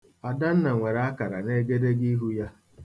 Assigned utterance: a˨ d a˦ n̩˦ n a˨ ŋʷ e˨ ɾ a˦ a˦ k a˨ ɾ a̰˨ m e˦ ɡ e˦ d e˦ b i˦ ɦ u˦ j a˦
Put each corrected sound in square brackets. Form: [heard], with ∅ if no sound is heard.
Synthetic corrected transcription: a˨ d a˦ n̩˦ n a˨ ŋʷ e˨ ɾ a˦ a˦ k a˨ ɾ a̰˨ [n] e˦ ɡ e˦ d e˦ [ɡ] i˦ ɦ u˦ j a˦